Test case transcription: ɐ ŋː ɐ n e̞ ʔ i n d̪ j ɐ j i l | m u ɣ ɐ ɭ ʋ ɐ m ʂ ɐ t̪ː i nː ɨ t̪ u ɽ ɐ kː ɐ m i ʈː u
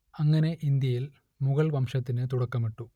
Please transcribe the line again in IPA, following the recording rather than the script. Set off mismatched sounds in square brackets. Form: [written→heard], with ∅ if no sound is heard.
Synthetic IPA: ɐ ŋː ɐ n e̞ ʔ i n d̪ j ɐ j i l | m u ɣ ɐ ɭ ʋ ɐ m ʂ ɐ t̪ː i [nː→n] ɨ t̪ u ɽ ɐ kː ɐ m i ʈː u

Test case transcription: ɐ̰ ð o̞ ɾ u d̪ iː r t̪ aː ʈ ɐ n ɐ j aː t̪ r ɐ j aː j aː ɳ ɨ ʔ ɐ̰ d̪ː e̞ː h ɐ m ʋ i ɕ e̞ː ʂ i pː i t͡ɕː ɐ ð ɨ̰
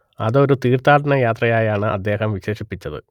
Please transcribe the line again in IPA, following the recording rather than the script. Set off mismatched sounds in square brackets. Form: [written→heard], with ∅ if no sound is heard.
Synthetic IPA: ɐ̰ ð o̞ ɾ u [d̪→t̪] iː r t̪ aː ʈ ɐ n ɐ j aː t̪ r ɐ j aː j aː ɳ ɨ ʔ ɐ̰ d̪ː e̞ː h ɐ m ʋ i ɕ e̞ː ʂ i pː i t͡ɕː ɐ ð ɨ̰

